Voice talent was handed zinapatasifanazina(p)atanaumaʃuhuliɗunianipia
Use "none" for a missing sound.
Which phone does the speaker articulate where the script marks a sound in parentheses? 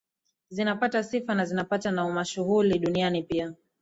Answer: p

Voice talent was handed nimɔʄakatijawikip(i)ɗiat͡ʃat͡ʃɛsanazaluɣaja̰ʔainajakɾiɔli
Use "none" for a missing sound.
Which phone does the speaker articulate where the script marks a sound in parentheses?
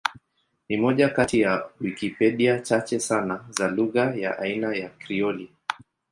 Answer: ɛ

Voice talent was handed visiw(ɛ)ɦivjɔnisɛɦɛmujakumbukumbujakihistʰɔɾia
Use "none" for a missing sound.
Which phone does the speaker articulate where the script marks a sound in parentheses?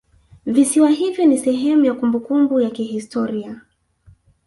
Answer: a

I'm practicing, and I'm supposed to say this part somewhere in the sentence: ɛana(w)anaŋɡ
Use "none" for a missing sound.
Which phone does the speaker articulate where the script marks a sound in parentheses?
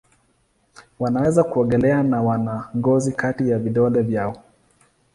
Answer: w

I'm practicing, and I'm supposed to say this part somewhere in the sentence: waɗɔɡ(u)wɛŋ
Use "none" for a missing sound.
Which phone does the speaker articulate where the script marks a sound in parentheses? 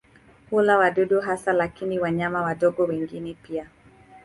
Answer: ɔ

